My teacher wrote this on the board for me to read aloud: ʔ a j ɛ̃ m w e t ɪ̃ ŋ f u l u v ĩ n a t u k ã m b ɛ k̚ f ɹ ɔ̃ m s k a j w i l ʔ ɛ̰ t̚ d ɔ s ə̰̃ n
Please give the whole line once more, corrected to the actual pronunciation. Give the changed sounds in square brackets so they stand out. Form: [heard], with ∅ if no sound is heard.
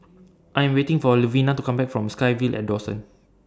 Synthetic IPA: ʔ a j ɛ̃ m w e t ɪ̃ ŋ f [ɔ] l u v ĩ n a t u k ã m b ɛ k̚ f ɹ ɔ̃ m s k a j [v] i l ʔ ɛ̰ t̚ d ɔ s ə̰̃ n